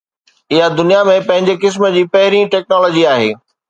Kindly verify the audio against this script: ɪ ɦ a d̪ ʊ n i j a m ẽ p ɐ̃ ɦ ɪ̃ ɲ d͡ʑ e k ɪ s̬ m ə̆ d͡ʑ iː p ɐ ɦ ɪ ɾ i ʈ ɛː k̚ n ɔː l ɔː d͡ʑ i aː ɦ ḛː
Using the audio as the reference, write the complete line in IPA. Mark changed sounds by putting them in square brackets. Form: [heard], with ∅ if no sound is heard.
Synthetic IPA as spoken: ɪ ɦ a d̪ ʊ n i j a m ẽ p ɐ̃ ɦ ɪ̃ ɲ d͡ʑ e k ɪ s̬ m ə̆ d͡ʑ iː p ɐ ɦ ɪ ɾ i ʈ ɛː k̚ n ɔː l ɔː d͡ʑ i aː ɦ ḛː